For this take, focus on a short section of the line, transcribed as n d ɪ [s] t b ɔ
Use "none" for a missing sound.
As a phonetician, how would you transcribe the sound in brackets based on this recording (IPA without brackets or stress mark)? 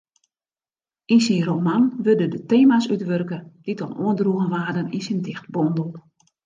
x